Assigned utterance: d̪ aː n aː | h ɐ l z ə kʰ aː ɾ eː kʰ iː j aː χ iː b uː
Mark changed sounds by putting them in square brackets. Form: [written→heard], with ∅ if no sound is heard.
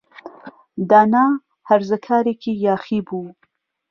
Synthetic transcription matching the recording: d̪ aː n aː | h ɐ [l→ɾ] z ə kʰ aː ɾ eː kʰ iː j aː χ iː b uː

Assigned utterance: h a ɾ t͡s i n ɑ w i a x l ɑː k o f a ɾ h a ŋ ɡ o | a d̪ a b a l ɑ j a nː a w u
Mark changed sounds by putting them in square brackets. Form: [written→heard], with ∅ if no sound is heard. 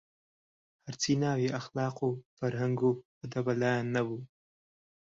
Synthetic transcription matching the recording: h a ɾ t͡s i n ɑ w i a x l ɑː [k→q] o f a ɾ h a ŋ ɡ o | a d̪ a b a l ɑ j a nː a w u

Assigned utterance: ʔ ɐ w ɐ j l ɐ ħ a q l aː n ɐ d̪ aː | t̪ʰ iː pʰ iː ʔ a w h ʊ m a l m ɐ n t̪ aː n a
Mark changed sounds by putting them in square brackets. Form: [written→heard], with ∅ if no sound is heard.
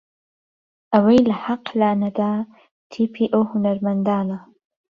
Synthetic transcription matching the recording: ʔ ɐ w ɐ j l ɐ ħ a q l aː n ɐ d̪ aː | t̪ʰ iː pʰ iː ʔ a w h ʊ [m→n] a [l→ɾ] m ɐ n [t̪→d̪] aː n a

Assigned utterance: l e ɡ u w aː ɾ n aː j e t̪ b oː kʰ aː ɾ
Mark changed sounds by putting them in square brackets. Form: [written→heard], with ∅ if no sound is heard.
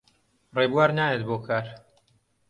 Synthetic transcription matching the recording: [l→r] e [ɡ→b] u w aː ɾ n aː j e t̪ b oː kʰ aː ɾ

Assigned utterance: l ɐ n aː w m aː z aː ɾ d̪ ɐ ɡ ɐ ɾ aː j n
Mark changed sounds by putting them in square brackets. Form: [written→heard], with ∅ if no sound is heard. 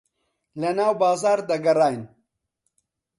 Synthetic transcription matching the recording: l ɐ n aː w [m→b] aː z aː ɾ d̪ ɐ ɡ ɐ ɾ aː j n

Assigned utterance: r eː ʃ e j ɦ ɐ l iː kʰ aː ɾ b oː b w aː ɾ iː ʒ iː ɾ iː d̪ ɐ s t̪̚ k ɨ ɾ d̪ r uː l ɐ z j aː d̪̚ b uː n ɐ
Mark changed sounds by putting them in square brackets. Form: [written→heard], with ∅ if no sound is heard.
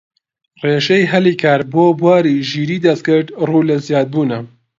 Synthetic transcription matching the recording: r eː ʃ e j ɦ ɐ l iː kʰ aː ɾ b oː b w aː ɾ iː ʒ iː ɾ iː d̪ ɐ s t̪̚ k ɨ ɾ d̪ r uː l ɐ z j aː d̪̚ b uː n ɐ

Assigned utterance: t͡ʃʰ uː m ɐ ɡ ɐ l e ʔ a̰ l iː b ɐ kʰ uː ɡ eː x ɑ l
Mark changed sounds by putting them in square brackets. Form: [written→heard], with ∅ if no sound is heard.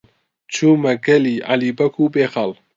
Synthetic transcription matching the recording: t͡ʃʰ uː m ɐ ɡ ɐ l [e→i] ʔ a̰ l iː b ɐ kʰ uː [ɡ→b] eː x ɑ l

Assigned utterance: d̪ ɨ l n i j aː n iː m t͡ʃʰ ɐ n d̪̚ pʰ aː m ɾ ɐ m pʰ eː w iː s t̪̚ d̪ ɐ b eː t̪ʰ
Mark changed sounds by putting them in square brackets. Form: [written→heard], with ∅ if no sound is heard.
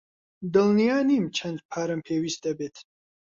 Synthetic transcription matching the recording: d̪ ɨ l n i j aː n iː m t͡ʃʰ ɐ n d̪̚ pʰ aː [m→∅] ɾ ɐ m pʰ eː w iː s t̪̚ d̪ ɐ b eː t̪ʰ

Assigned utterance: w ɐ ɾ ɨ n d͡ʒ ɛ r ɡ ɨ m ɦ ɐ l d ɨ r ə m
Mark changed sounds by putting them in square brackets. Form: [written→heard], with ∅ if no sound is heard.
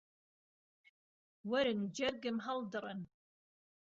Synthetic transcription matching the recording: w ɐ ɾ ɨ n d͡ʒ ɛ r ɡ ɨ m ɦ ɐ l d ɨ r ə [m→n]

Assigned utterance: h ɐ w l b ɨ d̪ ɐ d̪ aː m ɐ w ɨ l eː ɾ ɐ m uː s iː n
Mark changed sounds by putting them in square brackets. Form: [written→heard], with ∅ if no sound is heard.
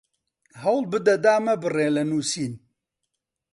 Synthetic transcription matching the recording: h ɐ w l b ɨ d̪ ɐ d̪ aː m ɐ [w→b] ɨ [l→r] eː [ɾ→l] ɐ [m→n] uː s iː n

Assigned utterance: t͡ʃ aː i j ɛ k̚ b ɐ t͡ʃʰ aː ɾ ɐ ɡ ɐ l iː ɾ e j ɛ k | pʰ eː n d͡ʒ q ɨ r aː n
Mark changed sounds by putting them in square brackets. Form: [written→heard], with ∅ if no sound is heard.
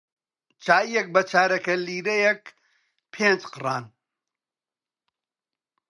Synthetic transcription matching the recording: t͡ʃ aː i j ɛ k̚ b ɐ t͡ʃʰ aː ɾ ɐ [ɡ→k] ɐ l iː ɾ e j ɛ k | pʰ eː n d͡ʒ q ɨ r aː n

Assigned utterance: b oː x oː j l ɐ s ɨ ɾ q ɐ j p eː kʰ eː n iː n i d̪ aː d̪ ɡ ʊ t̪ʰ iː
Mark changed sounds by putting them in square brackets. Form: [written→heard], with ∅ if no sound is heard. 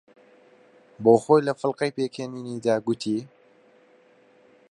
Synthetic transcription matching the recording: b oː x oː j l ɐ [s→f] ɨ [ɾ→l] q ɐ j p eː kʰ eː n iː n i d̪ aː [d̪→∅] ɡ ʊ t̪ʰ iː

